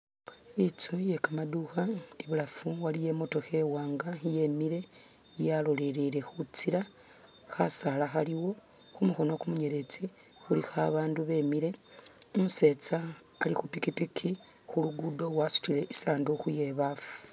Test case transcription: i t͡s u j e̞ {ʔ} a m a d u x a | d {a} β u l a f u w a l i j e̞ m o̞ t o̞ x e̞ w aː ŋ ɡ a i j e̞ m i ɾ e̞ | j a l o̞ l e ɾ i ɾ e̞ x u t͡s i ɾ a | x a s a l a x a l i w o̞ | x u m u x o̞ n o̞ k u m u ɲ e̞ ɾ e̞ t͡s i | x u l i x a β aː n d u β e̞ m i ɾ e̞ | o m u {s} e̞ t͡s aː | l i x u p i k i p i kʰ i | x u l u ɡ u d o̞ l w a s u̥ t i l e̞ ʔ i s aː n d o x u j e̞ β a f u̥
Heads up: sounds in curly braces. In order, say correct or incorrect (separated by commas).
incorrect, incorrect, correct